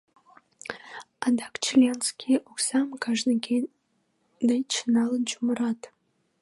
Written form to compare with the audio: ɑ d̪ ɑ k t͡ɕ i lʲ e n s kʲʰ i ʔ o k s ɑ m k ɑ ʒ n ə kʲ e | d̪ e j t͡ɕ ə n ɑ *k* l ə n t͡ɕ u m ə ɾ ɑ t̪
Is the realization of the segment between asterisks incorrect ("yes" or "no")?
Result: yes